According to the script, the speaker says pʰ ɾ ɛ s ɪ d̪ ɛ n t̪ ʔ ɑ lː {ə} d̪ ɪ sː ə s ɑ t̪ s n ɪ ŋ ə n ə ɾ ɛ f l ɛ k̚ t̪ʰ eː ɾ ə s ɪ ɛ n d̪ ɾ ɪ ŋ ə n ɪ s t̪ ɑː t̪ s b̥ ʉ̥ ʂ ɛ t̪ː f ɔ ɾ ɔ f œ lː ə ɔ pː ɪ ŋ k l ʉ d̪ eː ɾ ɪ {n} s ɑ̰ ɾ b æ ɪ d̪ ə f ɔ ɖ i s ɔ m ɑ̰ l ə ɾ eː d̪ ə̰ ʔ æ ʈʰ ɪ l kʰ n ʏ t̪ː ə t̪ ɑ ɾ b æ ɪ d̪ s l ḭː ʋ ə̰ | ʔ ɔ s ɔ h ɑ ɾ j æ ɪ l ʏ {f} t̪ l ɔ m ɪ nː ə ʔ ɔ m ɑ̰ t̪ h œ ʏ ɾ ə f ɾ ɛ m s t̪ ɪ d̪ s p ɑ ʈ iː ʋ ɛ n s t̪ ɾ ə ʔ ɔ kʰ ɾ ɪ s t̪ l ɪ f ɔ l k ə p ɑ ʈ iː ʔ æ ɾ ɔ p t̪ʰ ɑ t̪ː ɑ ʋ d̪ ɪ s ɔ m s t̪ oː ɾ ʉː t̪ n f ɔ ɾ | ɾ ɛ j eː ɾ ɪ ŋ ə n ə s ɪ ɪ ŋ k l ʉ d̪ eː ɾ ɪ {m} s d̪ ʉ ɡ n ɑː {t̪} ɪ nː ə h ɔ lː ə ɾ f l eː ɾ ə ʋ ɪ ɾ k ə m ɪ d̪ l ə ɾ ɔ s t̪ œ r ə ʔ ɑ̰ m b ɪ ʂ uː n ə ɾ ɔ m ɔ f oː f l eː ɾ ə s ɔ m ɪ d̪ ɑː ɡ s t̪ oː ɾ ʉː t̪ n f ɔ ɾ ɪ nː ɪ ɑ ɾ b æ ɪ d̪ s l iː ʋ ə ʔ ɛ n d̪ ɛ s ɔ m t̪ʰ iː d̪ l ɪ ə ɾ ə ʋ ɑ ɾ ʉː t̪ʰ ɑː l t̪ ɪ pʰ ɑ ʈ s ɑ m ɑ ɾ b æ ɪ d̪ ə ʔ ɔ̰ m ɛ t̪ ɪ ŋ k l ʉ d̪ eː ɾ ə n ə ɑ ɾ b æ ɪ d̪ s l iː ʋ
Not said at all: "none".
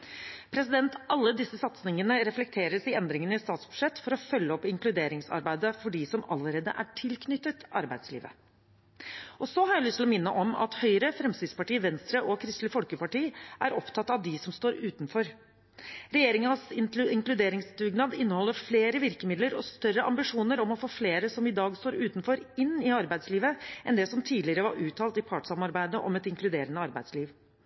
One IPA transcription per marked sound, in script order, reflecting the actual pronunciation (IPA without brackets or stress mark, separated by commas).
ə, ŋ, s, ŋ, d̪